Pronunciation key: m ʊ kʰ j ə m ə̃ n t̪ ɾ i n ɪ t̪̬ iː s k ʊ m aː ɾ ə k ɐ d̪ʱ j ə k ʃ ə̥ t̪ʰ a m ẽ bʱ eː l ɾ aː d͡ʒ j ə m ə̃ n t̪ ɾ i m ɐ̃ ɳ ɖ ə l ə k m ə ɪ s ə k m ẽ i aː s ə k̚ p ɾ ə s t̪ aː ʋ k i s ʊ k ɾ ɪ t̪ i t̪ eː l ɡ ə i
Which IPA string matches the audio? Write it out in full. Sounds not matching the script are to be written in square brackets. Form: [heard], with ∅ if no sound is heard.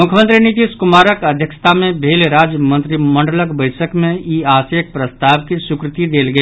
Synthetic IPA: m ʊ kʰ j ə m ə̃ n t̪ ɾ i n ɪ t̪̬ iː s k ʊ m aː ɾ ə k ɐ d̪ʱ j ə k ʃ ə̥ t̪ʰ a m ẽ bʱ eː l ɾ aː d͡ʒ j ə m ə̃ n t̪ ɾ i m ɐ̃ ɳ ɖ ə l ə k [b] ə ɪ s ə k m ẽ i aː s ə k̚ p ɾ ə s t̪ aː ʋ k i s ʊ k ɾ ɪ t̪ i [d̪] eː l ɡ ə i